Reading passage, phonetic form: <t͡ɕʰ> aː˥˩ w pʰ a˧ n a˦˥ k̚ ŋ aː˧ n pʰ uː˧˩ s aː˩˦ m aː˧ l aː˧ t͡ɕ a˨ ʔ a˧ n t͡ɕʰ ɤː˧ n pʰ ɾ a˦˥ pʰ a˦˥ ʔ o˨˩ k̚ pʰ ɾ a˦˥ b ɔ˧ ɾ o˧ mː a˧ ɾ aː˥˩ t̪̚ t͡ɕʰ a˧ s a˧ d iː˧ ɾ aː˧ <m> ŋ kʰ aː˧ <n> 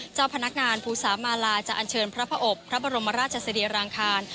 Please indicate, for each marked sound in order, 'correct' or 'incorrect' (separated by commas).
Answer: incorrect, incorrect, correct